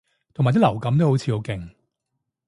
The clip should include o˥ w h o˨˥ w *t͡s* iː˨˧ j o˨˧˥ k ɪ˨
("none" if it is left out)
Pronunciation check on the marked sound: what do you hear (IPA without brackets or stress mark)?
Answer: t͡sʰ